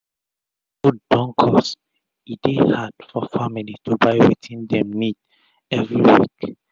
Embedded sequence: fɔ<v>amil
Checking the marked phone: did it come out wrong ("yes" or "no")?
yes